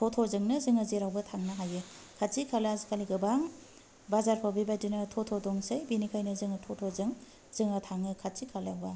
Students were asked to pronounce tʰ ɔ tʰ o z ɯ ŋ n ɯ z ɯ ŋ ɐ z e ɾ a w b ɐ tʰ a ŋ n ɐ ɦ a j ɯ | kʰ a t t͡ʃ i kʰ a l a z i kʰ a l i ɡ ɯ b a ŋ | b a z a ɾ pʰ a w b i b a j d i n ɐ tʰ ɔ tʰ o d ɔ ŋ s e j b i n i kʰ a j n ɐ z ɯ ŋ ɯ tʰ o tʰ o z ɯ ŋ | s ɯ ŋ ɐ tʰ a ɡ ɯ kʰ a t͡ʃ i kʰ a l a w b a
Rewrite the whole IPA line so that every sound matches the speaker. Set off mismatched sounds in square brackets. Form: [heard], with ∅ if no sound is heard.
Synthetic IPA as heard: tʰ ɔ tʰ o z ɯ ŋ n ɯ z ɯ ŋ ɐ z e ɾ a w b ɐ tʰ a ŋ n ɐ ɦ a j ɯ | kʰ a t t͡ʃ i kʰ a l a z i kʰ a l i ɡ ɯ b a ŋ | b a z a ɾ pʰ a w b i b a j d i n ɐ tʰ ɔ tʰ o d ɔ ŋ s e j b i n i kʰ a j n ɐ z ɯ ŋ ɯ tʰ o tʰ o z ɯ ŋ | [z] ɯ ŋ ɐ tʰ a [ŋ] ɯ kʰ a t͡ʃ i kʰ a l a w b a